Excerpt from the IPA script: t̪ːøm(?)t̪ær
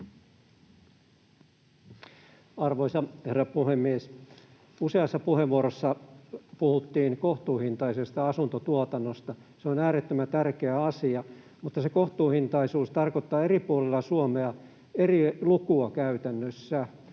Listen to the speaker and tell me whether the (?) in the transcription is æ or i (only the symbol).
æ